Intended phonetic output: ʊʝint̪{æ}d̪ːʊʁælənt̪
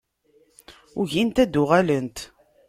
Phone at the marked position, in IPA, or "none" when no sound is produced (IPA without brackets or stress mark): æ